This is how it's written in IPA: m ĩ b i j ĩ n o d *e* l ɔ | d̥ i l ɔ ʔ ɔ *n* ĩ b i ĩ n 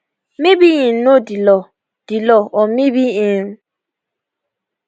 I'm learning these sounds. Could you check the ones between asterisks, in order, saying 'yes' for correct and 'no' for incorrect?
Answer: no, no

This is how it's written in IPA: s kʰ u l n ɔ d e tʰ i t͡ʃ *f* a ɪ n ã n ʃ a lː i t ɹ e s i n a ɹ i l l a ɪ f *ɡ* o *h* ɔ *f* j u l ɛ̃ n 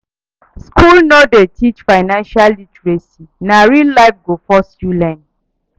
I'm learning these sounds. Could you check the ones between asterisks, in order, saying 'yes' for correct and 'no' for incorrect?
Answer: yes, yes, no, no

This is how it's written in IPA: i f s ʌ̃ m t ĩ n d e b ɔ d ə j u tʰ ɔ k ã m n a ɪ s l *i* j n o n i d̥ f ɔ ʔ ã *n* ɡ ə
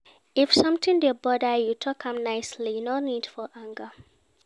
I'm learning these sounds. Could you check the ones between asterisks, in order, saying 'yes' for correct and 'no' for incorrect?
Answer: yes, no

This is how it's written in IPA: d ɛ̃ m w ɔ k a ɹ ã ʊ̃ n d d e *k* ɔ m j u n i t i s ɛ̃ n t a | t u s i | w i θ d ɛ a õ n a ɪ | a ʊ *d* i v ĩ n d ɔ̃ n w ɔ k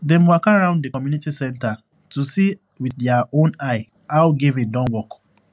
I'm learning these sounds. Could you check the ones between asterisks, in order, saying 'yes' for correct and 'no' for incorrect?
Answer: yes, no

